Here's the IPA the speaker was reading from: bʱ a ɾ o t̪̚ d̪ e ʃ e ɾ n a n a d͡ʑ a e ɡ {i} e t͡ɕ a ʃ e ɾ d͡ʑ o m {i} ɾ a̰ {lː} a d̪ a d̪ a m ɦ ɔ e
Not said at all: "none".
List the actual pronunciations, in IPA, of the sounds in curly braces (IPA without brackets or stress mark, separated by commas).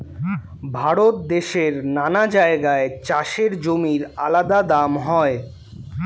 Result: a, i, l